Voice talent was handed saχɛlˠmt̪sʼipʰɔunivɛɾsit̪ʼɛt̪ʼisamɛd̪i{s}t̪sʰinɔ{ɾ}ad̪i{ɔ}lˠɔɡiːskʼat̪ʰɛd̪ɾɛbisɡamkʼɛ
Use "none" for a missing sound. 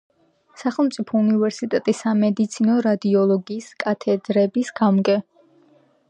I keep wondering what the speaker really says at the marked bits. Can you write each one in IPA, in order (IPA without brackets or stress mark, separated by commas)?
none, ɾ, ɔ